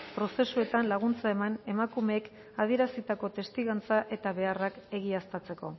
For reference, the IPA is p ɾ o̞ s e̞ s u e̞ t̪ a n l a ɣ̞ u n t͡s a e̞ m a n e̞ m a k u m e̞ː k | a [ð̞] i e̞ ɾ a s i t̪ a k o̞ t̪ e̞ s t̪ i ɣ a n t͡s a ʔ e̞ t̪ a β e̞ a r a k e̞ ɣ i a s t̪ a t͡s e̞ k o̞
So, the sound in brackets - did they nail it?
yes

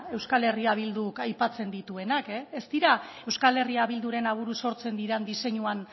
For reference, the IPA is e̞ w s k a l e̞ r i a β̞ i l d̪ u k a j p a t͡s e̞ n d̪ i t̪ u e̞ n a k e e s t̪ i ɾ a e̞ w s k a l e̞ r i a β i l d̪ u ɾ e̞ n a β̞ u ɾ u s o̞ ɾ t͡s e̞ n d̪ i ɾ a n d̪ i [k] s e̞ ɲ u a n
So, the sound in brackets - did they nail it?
no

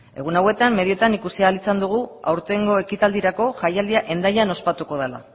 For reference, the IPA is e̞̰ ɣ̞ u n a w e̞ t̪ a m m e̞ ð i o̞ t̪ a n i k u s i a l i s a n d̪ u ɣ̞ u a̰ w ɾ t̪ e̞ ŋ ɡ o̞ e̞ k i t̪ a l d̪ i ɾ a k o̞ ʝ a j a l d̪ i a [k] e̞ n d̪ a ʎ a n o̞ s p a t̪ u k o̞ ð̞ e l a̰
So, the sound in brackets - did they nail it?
no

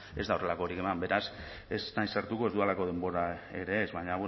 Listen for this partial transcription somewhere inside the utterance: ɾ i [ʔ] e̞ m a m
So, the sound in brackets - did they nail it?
no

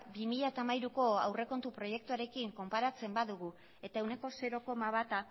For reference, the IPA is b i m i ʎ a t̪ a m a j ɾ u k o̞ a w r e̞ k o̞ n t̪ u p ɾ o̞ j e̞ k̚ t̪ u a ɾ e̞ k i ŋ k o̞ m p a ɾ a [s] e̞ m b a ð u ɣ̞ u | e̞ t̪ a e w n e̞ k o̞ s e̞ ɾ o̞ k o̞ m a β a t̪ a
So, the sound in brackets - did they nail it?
no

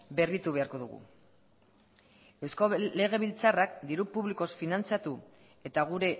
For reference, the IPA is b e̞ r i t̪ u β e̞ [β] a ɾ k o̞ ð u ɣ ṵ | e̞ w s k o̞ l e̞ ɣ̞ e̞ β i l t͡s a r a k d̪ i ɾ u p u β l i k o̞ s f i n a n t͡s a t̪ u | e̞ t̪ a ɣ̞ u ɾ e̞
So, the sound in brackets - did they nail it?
no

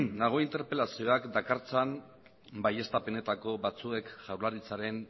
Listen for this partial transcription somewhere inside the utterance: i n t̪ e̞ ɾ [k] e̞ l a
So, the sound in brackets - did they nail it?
no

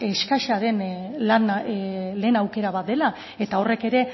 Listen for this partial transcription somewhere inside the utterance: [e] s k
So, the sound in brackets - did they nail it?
yes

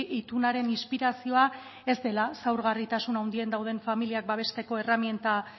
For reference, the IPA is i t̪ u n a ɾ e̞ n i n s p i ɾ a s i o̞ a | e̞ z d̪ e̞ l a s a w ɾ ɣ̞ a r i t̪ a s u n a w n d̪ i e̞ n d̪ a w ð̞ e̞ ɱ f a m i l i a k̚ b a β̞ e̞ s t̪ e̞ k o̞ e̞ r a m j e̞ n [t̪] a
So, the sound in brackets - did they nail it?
yes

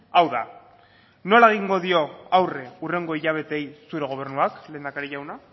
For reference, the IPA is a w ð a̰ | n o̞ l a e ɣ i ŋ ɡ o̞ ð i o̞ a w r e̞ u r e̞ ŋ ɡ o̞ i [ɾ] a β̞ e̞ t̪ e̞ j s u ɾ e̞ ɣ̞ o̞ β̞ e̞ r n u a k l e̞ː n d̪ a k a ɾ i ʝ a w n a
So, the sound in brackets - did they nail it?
no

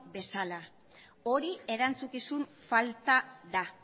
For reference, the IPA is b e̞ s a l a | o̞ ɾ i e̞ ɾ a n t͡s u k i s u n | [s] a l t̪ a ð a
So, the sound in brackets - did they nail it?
no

